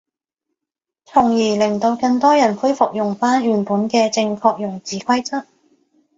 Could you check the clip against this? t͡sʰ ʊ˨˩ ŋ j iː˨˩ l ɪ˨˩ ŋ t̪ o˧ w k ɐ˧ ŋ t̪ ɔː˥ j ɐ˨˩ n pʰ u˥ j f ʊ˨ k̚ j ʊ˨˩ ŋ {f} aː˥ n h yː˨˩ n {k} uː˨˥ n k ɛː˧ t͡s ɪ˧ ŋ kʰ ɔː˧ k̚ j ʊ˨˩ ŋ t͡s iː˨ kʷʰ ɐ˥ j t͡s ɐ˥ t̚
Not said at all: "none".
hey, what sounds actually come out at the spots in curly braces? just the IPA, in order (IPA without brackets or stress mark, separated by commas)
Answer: f, p